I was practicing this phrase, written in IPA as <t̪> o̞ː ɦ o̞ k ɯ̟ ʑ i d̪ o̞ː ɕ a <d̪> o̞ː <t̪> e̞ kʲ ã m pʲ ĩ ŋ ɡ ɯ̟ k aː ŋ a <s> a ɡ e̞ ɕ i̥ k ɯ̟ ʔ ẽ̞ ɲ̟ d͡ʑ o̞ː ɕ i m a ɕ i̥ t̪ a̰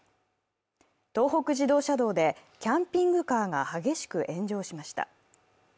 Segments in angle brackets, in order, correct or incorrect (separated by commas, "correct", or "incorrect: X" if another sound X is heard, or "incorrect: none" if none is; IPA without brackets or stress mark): correct, correct, incorrect: d̪, incorrect: h